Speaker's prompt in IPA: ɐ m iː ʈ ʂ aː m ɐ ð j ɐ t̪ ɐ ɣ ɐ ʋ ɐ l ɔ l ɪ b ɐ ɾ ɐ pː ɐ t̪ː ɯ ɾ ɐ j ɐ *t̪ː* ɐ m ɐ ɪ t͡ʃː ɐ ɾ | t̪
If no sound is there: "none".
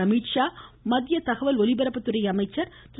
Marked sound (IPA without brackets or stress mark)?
none